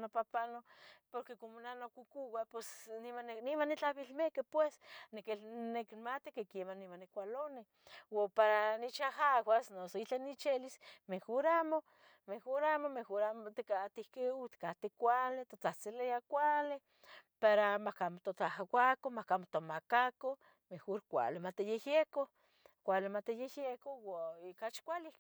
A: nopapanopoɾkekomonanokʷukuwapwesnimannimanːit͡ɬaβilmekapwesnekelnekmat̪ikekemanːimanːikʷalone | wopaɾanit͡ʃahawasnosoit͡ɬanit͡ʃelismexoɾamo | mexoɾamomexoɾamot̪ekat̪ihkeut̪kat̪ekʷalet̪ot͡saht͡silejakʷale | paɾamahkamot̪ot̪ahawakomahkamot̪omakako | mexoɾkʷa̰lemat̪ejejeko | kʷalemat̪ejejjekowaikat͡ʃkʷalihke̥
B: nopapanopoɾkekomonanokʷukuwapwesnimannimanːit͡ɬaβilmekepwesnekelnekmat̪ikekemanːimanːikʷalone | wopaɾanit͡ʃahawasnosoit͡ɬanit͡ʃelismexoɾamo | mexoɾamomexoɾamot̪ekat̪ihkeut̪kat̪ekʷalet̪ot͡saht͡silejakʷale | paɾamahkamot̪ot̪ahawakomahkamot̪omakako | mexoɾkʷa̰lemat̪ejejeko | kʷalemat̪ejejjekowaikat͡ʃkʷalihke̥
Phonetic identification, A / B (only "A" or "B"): B